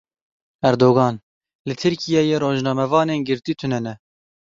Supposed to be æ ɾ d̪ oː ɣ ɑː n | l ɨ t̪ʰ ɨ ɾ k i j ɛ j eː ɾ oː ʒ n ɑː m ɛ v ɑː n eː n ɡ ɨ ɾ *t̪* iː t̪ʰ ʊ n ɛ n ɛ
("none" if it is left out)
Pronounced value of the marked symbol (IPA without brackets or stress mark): t̪